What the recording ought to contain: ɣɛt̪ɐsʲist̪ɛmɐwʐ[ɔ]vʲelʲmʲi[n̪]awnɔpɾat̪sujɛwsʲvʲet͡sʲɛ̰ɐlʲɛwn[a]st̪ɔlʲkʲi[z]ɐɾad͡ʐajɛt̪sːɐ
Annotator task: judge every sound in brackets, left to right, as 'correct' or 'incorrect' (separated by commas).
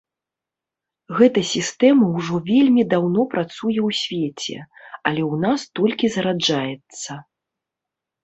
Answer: correct, incorrect, correct, correct